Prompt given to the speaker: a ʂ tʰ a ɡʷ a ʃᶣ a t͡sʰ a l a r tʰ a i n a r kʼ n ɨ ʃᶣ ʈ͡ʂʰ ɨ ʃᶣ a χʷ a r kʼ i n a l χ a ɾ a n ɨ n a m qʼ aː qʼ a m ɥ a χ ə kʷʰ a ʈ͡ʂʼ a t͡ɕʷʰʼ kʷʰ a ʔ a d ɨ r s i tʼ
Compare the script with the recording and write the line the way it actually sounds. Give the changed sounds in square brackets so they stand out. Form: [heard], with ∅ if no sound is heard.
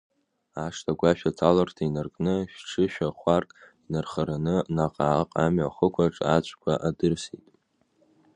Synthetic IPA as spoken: a ʂ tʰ a ɡʷ a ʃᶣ a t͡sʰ a l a r tʰ a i n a r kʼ n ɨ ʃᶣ ʈ͡ʂʰ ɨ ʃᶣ a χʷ a r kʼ i n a [r] χ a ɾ a n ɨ n a [∅] qʼ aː qʼ a m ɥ a χ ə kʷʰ a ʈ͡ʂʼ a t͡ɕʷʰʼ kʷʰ a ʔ a d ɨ r s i tʼ